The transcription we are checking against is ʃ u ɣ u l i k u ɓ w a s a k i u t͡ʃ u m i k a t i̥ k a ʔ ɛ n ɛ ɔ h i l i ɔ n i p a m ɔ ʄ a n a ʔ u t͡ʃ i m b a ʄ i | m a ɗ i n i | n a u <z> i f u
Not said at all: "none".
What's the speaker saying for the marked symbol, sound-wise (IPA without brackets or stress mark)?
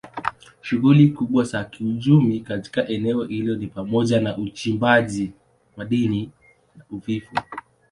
v